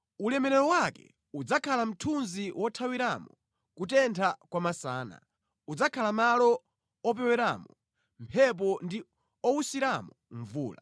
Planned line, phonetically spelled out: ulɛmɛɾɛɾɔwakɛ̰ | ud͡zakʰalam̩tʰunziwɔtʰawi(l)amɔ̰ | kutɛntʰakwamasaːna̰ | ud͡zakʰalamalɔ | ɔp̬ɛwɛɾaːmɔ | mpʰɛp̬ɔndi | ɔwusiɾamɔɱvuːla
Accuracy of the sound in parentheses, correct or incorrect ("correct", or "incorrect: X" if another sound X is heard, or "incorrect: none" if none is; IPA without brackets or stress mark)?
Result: incorrect: ɾ